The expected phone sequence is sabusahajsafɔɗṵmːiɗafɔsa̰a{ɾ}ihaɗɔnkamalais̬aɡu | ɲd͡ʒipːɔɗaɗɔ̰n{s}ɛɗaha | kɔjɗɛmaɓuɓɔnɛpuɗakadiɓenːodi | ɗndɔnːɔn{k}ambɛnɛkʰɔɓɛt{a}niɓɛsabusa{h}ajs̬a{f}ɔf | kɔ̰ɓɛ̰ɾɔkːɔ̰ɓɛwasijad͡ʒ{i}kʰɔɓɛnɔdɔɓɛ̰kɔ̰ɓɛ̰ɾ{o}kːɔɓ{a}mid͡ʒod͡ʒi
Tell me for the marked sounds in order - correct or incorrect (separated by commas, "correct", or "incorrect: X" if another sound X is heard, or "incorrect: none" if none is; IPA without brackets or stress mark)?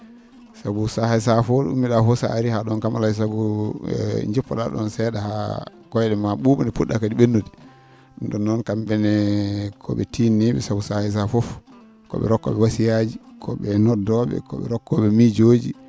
correct, correct, correct, incorrect: i, correct, correct, correct, incorrect: ɔ, incorrect: ɛ